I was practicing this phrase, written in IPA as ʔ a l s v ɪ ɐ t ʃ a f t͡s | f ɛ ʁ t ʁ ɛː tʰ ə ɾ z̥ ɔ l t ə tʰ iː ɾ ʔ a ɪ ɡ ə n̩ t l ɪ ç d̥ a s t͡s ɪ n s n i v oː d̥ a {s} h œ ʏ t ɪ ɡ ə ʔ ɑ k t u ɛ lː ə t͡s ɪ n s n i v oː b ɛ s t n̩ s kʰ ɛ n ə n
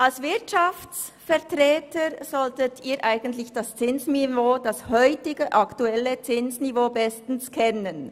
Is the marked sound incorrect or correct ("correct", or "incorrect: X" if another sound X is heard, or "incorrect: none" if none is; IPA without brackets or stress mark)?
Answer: correct